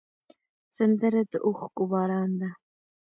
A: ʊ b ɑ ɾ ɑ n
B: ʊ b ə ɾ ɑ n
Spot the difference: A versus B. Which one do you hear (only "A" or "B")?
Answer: A